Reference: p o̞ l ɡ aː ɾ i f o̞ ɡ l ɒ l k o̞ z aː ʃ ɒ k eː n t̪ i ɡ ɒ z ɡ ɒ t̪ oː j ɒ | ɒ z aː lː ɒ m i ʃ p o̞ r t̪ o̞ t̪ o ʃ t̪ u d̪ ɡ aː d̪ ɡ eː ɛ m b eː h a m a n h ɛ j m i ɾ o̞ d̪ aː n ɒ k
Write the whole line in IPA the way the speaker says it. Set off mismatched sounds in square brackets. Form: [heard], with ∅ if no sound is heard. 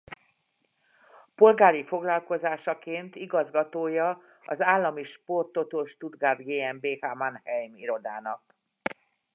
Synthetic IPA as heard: p o̞ l ɡ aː ɾ i f o̞ ɡ l ɒ l k o̞ z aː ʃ ɒ k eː n t̪ i ɡ ɒ z ɡ ɒ t̪ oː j ɒ | ɒ z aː lː ɒ m i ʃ p o̞ r t̪ o̞ t̪ o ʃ t̪ u d̪ ɡ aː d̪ ɡ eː ɛ m b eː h a m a n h ɛ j m i ɾ o̞ d̪ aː n ɒ k